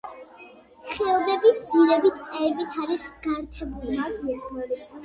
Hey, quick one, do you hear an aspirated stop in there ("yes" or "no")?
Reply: yes